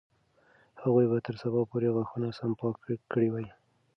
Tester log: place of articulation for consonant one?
glottal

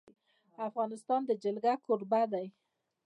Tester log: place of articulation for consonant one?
labial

